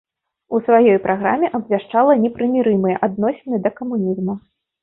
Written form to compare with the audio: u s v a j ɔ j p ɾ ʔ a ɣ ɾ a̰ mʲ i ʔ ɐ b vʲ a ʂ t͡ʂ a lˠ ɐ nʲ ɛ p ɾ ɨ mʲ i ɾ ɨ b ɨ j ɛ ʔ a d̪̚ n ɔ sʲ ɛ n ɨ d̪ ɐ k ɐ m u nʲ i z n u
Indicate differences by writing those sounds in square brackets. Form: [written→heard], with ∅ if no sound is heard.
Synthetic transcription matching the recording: u s v a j ɔ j p ɾ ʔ a ɣ ɾ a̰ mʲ [i→ɛ] ʔ ɐ b vʲ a ʂ t͡ʂ a lˠ ɐ nʲ ɛ p ɾ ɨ mʲ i ɾ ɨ [b→m] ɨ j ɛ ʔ a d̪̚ n ɔ sʲ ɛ n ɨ d̪ ɐ k ɐ m u nʲ i z [n→m] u